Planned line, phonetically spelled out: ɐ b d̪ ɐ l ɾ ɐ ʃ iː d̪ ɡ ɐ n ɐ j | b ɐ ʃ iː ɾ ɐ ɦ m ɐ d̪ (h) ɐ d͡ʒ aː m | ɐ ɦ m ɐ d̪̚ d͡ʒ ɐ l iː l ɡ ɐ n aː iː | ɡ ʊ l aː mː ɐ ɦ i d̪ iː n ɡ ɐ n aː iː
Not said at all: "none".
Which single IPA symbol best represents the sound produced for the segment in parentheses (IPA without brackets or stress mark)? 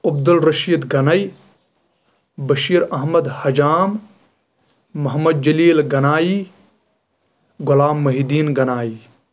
h